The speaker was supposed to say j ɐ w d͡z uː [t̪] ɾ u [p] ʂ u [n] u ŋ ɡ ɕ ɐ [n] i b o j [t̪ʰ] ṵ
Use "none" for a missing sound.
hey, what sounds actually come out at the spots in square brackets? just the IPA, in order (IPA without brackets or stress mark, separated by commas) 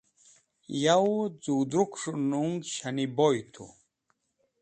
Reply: d̪, k, n, n, t̪ʰ